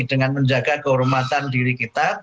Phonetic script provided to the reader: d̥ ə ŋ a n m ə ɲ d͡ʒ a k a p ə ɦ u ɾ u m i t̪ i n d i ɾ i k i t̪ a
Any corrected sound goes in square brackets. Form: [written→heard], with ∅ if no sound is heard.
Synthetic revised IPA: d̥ ə ŋ a n m ə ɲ d͡ʒ a [k→ɡ] a [p→k] ə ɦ u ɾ u m [i→a] t̪ [i→a] n d i ɾ i k i t̪ a